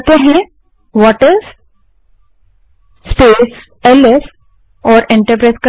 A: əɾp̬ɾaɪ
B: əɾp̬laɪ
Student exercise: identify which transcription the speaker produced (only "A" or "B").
A